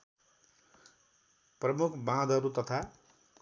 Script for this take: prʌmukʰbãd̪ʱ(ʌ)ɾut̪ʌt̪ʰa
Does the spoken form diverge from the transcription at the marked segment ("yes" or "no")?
no